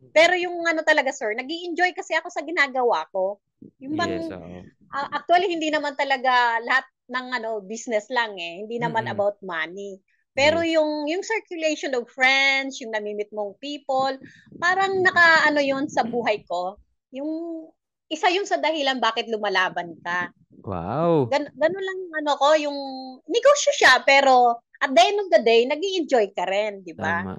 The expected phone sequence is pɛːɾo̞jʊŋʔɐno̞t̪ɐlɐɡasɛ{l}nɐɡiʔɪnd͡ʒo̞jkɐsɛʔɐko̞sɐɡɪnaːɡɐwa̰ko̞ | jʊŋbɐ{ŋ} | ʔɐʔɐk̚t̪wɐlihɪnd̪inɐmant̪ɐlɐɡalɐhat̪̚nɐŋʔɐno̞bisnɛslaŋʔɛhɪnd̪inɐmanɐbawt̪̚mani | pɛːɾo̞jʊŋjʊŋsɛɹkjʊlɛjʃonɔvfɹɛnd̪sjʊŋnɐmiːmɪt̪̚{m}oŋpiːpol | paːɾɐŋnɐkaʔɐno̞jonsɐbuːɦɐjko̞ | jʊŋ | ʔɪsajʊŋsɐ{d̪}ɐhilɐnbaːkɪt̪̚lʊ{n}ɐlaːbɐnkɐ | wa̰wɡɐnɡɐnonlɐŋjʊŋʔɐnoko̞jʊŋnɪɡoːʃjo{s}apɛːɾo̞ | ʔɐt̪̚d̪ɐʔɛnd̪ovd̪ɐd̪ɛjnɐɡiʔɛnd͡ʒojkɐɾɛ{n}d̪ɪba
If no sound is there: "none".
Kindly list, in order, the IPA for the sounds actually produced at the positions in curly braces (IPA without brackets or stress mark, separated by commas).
ɹ, ŋ, m, d̪, m, ʃ, n